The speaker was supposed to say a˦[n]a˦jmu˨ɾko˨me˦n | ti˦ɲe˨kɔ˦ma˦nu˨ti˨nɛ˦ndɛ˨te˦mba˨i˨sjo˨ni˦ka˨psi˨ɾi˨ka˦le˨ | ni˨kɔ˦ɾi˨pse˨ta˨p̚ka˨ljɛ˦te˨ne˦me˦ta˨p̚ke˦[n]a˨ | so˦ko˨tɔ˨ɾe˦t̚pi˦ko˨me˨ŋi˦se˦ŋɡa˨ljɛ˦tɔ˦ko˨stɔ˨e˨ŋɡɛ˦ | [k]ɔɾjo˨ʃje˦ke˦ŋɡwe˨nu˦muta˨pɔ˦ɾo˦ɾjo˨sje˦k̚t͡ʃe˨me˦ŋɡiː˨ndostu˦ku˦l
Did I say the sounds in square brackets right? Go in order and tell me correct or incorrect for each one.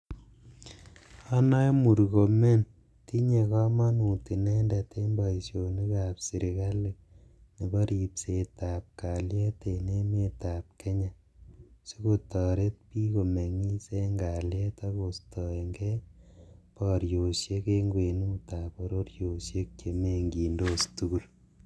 correct, incorrect: ɲ, incorrect: p

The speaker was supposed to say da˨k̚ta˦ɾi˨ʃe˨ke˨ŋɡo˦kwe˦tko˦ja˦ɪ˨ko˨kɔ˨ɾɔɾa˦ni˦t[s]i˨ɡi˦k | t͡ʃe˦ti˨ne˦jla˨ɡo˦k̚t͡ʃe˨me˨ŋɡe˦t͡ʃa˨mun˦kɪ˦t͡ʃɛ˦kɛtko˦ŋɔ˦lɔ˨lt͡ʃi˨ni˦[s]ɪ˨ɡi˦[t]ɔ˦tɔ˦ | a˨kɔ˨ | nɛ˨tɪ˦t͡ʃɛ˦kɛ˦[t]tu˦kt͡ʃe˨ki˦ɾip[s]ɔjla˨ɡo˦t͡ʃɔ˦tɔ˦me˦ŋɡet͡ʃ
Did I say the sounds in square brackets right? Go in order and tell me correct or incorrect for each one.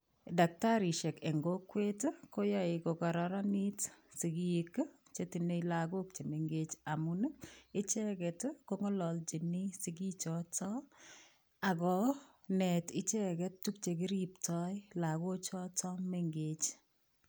correct, correct, incorrect: t͡ʃ, correct, incorrect: t

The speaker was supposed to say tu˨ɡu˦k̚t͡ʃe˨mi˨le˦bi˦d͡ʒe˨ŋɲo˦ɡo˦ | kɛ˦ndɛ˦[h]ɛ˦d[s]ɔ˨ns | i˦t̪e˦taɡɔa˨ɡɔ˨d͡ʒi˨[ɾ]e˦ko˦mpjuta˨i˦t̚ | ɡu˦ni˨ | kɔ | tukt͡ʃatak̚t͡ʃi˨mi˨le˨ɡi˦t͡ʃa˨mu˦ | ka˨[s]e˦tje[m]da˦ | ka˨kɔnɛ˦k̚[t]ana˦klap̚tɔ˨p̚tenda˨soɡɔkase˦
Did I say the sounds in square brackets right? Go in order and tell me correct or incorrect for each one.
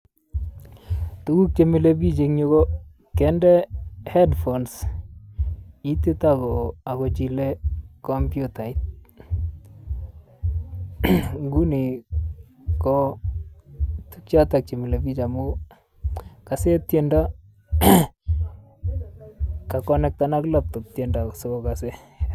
correct, incorrect: f, incorrect: l, correct, incorrect: n, correct

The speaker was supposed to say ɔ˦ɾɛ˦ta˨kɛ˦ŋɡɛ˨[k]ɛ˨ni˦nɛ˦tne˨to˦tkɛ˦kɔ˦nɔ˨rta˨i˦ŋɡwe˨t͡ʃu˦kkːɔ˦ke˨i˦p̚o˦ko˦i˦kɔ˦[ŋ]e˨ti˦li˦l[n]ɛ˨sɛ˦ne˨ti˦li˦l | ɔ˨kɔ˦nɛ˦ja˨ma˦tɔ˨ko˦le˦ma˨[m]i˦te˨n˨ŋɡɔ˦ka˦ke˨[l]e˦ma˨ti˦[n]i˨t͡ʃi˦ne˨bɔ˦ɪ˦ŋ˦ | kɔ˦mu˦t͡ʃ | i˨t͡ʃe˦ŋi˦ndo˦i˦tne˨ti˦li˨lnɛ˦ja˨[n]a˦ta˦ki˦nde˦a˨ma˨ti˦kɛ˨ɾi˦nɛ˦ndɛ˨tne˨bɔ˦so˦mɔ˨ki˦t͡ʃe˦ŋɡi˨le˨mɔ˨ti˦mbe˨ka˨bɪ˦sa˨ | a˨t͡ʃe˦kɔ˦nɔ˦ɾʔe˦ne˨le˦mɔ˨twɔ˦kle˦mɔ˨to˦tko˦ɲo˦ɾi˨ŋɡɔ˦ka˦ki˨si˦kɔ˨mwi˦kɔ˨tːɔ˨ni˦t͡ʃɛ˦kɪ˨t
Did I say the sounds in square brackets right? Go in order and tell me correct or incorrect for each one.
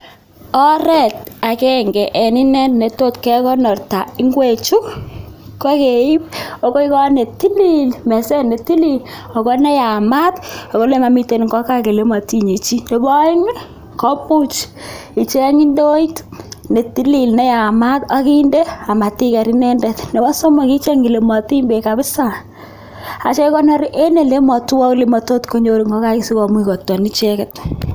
incorrect: ʔ, incorrect: n, incorrect: m, correct, correct, incorrect: ɲ, incorrect: m

